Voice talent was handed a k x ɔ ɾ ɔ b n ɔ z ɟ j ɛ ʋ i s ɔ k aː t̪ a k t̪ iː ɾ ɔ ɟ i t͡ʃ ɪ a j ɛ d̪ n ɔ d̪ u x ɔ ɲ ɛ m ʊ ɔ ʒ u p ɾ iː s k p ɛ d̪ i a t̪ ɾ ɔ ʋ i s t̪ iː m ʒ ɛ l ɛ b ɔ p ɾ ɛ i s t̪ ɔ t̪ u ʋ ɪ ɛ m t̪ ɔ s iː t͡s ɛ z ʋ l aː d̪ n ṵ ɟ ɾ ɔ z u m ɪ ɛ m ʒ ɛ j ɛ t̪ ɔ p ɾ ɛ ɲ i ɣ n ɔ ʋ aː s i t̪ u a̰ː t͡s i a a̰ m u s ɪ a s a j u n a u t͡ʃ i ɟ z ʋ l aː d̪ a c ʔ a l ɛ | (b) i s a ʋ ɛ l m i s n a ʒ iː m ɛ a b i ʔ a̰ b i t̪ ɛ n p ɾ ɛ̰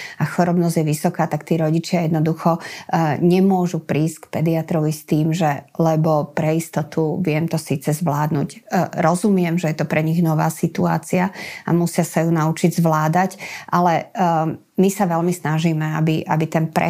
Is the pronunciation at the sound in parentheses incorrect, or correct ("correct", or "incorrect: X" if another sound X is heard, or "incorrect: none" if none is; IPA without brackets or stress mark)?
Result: incorrect: m